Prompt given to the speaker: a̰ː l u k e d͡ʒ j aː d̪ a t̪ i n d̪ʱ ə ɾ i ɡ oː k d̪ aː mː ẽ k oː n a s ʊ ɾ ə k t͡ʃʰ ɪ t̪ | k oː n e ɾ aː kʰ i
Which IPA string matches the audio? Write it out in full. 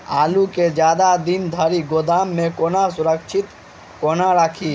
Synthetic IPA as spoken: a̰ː l u k e d͡ʒ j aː d̪ a d̪ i n d̪ʱ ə ɾ i ɡ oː d̪ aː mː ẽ k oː n a s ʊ ɾ ə k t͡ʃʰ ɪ t̪ | k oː n a ɾ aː kʰ i